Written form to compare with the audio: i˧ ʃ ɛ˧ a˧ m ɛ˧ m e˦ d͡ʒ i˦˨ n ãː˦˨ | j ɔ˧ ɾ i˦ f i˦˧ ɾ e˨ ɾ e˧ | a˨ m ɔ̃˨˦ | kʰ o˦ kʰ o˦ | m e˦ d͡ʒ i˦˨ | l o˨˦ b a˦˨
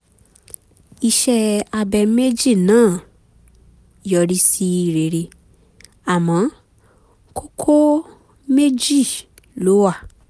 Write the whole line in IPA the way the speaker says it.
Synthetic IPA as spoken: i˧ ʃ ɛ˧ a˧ b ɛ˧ m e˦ d͡ʒ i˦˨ n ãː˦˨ | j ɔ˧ ɾ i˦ s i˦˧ ɾ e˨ ɾ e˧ | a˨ m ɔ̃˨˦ | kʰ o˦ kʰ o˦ | m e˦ d͡ʒ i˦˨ | l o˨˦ w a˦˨